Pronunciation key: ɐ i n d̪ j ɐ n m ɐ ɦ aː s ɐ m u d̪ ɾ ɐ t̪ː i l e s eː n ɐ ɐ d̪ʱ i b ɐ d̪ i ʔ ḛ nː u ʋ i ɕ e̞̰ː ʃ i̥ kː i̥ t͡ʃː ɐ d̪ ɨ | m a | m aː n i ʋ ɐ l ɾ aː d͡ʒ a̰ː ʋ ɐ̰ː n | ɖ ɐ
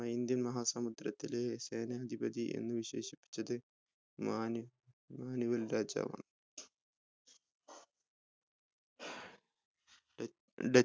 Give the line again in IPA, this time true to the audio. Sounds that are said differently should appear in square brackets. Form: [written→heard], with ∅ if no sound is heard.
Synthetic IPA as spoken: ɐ i n d̪ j ɐ n m ɐ ɦ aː s ɐ m u d̪ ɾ ɐ t̪ː i l e s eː n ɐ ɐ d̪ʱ i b ɐ d̪ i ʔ ḛ nː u ʋ i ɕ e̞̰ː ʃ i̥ [kː→pː] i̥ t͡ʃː ɐ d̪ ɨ | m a | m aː n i ʋ ɐ l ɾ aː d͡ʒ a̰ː ʋ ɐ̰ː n | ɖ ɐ